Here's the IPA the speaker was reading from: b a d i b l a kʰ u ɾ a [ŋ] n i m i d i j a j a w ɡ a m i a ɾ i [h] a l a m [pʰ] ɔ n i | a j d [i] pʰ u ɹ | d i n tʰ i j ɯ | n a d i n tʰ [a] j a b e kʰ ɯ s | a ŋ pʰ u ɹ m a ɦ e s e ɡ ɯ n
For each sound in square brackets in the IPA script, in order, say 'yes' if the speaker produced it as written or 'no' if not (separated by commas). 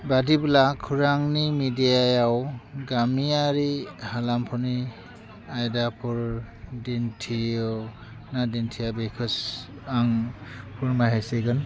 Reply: yes, yes, yes, no, no